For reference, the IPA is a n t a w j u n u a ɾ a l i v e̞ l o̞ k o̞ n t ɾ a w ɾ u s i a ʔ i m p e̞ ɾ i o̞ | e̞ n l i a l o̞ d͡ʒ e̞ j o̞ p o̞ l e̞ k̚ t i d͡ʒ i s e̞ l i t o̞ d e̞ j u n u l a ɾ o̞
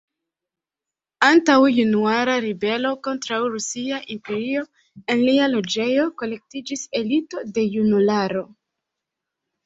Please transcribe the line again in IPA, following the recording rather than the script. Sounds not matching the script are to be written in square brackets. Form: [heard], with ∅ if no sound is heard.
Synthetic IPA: a n t a w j u n u a ɾ a [ɾ] i [b] e̞ l o̞ k o̞ n t ɾ a w ɾ u s i a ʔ i m p e̞ ɾ i o̞ | e̞ n l i a l o̞ d͡ʒ e̞ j o̞ [k] o̞ l e̞ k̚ t i d͡ʒ i s e̞ l i t o̞ d e̞ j u n u l a ɾ o̞